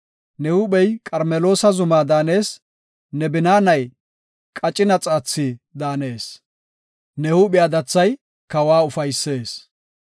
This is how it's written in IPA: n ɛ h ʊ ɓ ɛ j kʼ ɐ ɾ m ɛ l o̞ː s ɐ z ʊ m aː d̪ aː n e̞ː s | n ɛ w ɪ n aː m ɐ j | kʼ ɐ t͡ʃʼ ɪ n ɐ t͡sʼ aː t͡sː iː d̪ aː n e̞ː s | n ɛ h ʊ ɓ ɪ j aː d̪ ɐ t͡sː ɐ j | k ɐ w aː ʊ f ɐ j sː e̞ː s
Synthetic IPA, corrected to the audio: n ɛ h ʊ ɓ ɛ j kʼ ɐ ɾ m ɛ l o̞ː s ɐ z ʊ m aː d̪ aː n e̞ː s | n ɛ b ɪ n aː n ɐ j | kʼ ɐ t͡ʃʼ ɪ n ɐ t͡sʼ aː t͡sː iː d̪ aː n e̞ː s | n ɛ h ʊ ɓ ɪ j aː d̪ ɐ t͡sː ɐ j | k ɐ w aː ʊ f ɐ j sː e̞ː s